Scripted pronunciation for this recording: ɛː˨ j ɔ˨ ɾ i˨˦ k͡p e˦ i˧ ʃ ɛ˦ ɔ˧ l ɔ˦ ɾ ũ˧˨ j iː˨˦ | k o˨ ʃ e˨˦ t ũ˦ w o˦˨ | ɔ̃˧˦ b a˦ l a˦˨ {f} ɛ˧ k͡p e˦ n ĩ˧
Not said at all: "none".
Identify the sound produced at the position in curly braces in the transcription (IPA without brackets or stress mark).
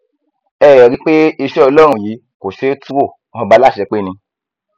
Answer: ʃ